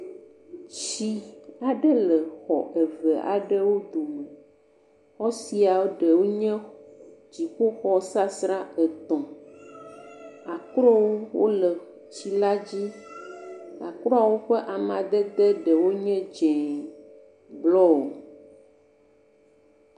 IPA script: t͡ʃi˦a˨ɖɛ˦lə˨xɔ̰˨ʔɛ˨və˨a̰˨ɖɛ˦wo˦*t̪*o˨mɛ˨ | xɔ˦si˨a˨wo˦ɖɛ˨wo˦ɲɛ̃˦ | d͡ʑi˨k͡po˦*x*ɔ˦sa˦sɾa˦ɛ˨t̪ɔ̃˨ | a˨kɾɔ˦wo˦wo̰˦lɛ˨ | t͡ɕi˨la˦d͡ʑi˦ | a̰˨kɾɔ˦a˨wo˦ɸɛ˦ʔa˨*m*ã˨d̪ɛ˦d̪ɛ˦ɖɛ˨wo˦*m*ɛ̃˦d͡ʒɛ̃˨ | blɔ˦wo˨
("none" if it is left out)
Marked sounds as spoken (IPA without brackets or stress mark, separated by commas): d̪, x, m, ɲ